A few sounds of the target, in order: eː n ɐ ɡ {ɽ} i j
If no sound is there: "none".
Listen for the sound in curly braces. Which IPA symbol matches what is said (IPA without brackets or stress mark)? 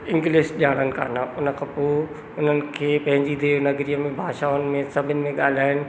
ɾ